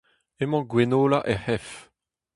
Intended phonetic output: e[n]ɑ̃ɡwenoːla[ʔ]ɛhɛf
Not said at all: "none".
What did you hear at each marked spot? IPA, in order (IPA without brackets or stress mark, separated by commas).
m, ʔ